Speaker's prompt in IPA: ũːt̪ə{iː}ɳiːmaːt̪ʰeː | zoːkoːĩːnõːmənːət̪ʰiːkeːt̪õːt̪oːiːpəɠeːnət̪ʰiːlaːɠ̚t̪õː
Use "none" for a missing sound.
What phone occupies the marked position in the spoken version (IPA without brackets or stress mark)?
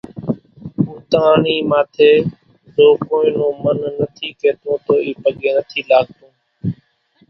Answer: aː